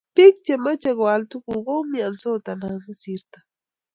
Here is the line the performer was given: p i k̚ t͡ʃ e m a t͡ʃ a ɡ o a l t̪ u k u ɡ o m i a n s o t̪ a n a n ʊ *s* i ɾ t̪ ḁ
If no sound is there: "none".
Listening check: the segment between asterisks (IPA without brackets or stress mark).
s